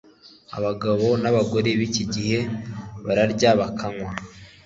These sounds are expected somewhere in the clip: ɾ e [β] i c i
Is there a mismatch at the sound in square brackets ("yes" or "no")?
no